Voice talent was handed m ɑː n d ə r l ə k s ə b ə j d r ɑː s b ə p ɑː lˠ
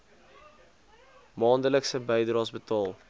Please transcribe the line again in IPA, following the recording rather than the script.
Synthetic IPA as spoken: m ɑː n d ə l ə k s ə b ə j d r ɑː s b ə t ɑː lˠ

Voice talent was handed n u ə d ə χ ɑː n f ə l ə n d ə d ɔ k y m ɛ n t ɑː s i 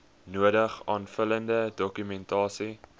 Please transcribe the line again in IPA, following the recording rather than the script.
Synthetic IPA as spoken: n u ə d ə χ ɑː n f ə l ə n d ə d ɔ k y m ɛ n t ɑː s i

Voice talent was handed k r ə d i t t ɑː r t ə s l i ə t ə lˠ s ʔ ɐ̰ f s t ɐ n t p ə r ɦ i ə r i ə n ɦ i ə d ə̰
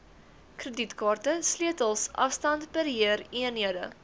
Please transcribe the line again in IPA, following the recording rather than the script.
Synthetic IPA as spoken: k r ə d i t k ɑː r t ə s l i ə t ə lˠ s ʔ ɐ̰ f s t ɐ n t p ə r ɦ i ə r i ə n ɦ i ə d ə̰

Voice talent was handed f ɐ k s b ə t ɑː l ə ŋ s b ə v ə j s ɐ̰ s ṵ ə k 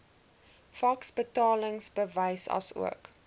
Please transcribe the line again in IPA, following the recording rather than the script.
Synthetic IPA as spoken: f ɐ k s b ə t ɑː l ə ŋ s b ə v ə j s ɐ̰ s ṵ ə k

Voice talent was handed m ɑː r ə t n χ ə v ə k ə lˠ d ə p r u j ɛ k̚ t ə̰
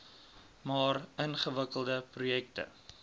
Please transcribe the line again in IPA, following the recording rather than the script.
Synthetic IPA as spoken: m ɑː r ə n χ ə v ə k ə lˠ d ə p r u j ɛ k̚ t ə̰

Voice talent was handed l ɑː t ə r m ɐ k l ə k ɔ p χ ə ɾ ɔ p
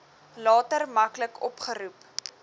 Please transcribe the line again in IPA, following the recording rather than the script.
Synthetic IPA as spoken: l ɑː t ə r m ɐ k l ə k ɔ p χ ə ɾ u p

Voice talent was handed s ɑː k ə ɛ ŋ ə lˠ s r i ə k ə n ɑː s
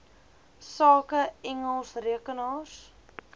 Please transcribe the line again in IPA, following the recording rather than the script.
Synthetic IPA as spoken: s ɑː k ə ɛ ŋ ə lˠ s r i ə k ə n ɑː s

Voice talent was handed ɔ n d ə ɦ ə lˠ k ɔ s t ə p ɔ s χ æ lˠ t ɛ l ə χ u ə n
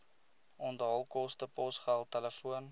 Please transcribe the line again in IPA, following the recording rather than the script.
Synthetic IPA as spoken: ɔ n d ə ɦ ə lˠ k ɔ s t ə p ɔ s χ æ lˠ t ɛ l ə f u ə n

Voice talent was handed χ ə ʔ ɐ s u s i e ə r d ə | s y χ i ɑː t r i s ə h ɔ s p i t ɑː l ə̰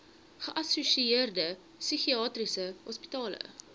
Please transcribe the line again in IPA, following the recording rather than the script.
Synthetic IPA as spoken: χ ə ʔ ɐ s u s i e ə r d ə | s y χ i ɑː t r i s ə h ɔ s p i t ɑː l ə̰

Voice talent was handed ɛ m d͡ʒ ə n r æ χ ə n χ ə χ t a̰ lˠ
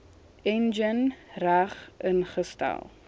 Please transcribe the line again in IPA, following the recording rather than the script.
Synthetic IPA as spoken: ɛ n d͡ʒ ə n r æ χ ə n χ ə s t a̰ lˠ

